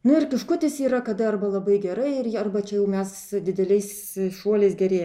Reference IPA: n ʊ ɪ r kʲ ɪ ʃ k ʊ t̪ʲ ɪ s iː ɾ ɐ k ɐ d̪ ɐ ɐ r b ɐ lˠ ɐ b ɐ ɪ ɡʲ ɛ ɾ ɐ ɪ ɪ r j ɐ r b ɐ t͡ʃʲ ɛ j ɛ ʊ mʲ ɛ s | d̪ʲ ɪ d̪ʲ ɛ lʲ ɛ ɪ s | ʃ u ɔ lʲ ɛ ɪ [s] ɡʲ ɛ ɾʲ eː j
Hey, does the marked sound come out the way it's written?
yes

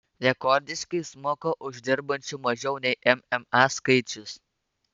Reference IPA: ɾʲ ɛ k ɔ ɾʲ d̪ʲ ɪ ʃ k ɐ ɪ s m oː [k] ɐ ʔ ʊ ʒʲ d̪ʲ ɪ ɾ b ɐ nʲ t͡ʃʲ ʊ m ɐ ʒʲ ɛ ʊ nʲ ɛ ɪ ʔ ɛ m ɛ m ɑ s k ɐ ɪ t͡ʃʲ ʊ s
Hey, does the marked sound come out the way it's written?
yes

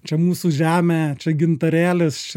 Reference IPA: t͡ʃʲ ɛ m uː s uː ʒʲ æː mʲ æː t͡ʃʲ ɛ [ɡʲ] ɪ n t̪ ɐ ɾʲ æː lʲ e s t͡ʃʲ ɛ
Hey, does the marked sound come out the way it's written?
yes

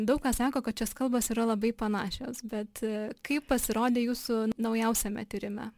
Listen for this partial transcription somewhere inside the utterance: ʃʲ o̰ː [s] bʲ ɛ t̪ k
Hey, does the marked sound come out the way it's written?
yes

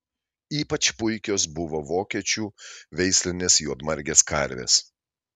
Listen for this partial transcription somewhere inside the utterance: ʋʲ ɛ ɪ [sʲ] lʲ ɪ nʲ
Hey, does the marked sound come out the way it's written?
yes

